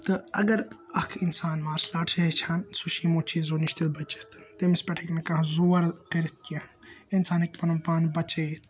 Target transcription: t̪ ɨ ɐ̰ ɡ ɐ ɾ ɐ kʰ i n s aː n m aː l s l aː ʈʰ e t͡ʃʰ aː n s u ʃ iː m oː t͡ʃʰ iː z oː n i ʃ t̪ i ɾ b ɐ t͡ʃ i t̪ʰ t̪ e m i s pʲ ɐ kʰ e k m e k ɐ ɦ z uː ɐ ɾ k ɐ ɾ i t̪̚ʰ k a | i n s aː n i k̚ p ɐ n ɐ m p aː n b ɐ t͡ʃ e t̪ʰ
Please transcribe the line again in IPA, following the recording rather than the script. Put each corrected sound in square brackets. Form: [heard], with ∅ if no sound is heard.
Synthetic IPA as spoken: t̪ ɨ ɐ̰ ɡ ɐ ɾ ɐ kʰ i n s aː n m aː [ɾ] s l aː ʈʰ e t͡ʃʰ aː n s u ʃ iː m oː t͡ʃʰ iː z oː n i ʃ t̪ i [l] b ɐ t͡ʃ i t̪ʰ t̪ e m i s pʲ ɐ [ʈʰ] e k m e k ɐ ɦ z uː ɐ ɾ k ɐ ɾ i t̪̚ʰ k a | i n s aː n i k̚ p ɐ n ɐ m p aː n b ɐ t͡ʃ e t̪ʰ